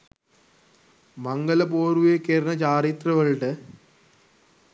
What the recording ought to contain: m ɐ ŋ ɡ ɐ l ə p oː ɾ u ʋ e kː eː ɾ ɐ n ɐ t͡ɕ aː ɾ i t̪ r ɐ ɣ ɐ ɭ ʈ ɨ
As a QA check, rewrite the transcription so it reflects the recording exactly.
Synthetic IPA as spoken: m ɐ ŋ ɡ ɐ l ɐ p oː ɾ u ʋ e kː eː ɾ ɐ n ɐ t͡ɕ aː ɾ i t̪ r ɐ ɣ ɐ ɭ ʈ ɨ